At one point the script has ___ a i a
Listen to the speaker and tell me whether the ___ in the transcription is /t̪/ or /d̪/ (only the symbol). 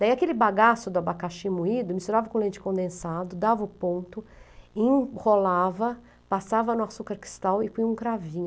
d̪